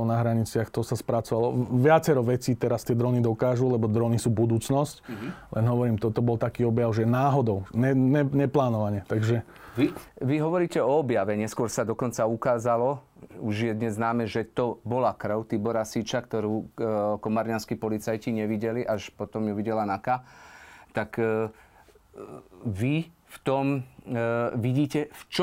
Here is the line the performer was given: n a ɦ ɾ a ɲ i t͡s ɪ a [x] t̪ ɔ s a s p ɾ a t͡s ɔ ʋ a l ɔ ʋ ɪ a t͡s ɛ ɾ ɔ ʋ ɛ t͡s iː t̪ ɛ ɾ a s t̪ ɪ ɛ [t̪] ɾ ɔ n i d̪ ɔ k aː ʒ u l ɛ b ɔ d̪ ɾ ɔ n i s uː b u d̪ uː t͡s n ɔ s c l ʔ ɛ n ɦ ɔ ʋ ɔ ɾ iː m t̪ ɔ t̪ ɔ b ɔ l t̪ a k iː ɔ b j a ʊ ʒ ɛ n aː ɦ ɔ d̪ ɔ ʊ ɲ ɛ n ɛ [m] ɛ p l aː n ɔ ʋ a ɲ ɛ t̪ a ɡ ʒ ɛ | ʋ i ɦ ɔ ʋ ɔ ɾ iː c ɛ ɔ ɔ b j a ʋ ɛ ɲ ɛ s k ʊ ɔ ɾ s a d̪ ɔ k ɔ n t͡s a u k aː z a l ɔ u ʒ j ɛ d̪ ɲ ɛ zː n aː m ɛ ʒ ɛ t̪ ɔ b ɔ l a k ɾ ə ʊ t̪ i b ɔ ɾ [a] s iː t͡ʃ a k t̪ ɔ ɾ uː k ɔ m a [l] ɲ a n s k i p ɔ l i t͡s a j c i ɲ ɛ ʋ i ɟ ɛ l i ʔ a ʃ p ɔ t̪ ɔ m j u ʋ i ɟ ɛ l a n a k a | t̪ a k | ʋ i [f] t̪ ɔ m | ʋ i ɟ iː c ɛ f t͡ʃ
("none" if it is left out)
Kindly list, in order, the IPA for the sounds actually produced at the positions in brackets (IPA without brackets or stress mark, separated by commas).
x, d̪, ɲ, a, ɾ, f